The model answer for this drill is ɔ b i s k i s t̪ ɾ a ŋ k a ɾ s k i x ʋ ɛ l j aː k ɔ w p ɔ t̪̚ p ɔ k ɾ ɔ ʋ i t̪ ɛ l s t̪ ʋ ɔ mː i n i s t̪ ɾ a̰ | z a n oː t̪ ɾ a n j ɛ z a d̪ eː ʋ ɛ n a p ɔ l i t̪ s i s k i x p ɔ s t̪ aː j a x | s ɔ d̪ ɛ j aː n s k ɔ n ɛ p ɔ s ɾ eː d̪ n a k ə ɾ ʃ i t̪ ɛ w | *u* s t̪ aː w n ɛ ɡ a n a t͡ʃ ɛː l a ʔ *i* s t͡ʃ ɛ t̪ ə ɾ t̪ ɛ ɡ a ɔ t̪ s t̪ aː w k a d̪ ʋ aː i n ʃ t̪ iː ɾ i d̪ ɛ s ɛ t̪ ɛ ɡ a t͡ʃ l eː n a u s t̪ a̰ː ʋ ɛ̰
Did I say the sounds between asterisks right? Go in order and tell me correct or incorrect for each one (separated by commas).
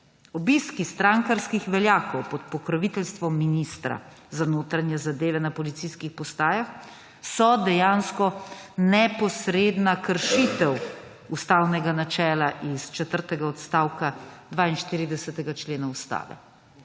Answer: correct, correct